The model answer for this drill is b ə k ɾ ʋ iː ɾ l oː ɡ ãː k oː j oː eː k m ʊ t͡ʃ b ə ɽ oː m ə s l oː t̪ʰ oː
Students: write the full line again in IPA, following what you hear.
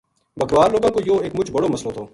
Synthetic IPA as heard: b ə k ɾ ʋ aː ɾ l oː ɡ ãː k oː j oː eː k m ʊ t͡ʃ b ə ɽ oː m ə s l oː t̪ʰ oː